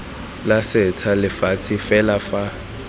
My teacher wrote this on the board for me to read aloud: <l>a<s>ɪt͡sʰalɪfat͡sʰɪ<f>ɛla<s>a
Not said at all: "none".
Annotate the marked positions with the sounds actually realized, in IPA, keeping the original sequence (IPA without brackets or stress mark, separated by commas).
l, s, f, f